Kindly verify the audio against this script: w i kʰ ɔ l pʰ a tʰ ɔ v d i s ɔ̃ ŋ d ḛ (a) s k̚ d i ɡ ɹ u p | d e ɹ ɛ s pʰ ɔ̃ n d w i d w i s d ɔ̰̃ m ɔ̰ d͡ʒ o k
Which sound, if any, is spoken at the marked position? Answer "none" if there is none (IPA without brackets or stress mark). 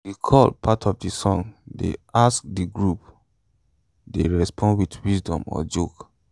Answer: a